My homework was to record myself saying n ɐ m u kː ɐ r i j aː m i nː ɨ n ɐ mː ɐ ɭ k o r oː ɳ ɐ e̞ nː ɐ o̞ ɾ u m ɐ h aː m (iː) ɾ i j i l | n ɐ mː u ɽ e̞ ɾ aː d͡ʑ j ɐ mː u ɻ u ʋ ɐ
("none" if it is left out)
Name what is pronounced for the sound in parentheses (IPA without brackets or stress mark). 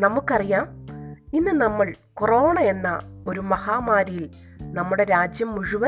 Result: aː